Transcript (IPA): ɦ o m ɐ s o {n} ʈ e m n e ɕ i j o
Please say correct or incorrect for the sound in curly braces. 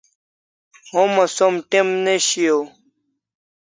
incorrect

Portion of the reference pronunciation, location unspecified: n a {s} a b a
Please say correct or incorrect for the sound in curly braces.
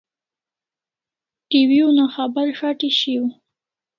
incorrect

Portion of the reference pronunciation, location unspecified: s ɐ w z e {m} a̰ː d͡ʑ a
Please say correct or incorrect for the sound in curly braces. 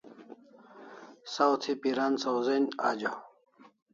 incorrect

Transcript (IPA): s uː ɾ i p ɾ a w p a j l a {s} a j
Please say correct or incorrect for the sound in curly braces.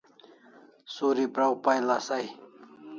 correct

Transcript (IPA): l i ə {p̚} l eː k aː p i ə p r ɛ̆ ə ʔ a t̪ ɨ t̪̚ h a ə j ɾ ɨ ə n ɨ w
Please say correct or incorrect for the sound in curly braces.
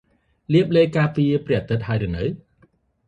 correct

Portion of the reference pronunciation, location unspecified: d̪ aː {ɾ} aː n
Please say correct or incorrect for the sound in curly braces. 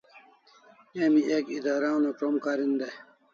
correct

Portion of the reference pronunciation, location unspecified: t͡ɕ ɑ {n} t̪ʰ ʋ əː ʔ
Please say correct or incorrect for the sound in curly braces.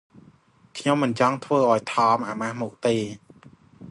incorrect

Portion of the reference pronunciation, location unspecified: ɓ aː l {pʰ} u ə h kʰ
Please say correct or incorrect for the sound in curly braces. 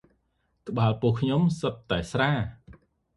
incorrect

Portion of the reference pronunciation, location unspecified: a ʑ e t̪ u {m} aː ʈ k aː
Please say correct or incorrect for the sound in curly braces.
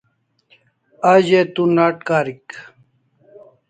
incorrect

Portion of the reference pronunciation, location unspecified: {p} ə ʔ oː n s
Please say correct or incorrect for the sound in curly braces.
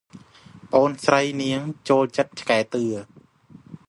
correct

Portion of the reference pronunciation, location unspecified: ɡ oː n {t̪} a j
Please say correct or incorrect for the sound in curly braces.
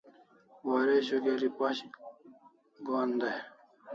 incorrect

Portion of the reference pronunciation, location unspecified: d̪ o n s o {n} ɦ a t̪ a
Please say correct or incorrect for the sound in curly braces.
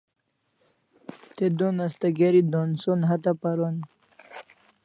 correct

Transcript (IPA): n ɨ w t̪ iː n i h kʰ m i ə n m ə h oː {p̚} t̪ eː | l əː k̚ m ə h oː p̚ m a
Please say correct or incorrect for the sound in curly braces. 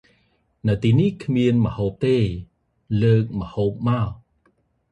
correct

